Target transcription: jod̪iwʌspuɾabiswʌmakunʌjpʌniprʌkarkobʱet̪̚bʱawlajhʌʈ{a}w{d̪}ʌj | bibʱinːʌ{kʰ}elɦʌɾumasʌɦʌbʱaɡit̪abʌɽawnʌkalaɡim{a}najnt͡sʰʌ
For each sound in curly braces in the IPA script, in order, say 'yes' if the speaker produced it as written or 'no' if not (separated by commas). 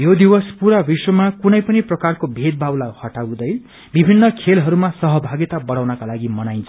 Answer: yes, yes, yes, no